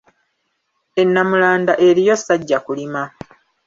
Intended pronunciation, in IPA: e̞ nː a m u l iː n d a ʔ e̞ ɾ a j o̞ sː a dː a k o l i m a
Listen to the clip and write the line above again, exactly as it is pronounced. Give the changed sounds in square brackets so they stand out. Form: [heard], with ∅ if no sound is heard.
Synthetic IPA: e̞ nː a m u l [aː] n d a ʔ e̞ ɾ [i] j o̞ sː a [ɟː] a k [u] l i m a

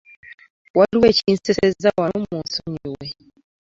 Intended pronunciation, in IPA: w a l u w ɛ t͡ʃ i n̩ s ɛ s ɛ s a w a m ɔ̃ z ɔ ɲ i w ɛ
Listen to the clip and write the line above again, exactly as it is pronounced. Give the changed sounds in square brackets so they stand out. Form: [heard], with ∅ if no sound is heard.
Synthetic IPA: w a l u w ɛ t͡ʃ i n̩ s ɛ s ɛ [z] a w a m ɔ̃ [s] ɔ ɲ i w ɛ

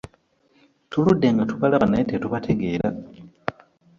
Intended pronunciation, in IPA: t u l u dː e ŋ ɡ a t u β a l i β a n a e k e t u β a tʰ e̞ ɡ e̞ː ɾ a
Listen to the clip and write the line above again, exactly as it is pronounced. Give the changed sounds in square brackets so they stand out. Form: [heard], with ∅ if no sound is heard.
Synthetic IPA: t u l u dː e ŋ ɡ a t u β a l [a] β a n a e [t] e t u β a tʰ e̞ ɡ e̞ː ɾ a

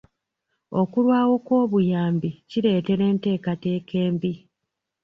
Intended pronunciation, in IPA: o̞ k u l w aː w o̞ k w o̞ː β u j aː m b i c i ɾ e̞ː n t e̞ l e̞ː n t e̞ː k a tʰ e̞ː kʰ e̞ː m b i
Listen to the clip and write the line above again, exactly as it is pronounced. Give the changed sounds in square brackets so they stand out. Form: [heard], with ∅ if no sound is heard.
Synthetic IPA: o̞ k u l w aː w o̞ k w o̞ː β u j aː m b i c i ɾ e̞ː [∅] t e̞ [ɾ] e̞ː n t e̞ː k a [t] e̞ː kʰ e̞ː m b i

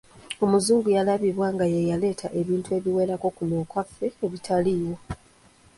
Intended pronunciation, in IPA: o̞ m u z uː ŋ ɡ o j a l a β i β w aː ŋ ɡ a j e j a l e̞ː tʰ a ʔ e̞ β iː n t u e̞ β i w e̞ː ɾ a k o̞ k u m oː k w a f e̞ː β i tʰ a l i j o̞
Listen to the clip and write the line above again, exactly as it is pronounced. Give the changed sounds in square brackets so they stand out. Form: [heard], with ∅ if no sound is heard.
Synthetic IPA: o̞ m u z uː ŋ ɡ [u] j a l a β i β w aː ŋ ɡ a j e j a l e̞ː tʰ a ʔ e̞ β iː n t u e̞ β i w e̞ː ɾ a k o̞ k u [n] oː k w a f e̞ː β i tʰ a l i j o̞

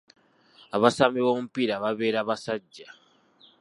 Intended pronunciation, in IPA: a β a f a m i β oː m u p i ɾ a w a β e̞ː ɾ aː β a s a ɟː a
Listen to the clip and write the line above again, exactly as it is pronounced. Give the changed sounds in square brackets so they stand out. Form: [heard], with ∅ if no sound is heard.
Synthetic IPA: a β a [s] a m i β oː m u p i ɾ a [β] a β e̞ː ɾ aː β a s a ɟː a

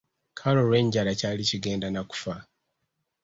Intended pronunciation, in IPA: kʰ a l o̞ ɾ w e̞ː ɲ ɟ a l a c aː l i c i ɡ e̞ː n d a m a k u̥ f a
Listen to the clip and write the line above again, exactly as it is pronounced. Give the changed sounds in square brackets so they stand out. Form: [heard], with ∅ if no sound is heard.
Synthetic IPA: kʰ a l o̞ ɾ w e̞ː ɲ ɟ a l a c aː l i c i ɡ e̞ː n d a [n] a k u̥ f a

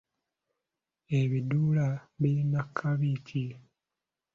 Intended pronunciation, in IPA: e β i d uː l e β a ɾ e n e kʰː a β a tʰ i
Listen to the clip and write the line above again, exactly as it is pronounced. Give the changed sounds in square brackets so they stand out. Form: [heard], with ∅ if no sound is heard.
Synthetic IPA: e β i d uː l [a] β [i] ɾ [i] n [a] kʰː a β [i] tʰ i

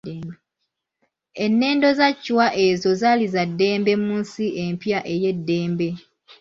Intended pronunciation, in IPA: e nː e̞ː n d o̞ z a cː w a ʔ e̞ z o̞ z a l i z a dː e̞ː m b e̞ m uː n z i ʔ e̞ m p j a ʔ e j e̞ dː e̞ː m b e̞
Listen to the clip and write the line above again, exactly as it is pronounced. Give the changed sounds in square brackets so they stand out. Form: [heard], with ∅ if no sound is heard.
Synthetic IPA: e nː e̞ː n d o̞ z a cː w a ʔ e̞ z o̞ z a l i z a dː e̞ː m b e̞ m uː n [s] i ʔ e̞ m p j a ʔ e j e̞ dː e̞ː m b e̞

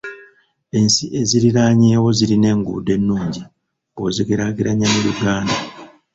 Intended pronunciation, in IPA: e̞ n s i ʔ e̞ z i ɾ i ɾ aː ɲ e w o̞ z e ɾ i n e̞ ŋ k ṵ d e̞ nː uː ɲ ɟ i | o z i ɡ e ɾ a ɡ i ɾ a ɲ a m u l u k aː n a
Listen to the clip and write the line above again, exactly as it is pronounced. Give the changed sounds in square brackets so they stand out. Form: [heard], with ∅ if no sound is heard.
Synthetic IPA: e̞ n s i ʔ e̞ z i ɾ i ɾ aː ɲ e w o̞ z [i] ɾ i n e̞ ŋ [ɡ] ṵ d e̞ nː uː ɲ ɟ i | o z i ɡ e ɾ a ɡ i ɾ a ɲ a m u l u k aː n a

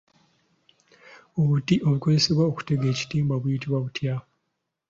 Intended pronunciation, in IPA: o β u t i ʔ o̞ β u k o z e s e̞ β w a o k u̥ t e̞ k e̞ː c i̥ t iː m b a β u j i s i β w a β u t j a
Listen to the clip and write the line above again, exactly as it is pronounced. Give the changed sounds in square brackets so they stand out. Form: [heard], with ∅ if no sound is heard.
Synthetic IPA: o β u t i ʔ o̞ β u k o z e s e̞ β w a o k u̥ t e̞ [ɡ] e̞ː c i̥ t iː m b a β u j i [t] i β w a β u t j a

